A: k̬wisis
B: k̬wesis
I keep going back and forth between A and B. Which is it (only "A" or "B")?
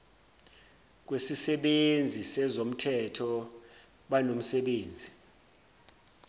B